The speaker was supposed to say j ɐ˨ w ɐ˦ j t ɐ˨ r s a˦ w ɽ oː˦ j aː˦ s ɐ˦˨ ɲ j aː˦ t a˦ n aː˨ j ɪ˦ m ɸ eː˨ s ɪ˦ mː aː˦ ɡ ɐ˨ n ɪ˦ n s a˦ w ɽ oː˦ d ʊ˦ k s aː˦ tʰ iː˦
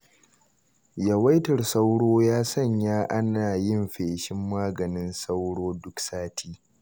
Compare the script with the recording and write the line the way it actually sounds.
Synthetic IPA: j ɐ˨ w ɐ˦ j t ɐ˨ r s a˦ w ɽ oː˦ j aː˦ s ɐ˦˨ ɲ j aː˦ ʔ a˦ n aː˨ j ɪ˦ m ɸ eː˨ ʃ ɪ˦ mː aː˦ ɡ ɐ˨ n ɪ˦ n s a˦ w ɽ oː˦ d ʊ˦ k s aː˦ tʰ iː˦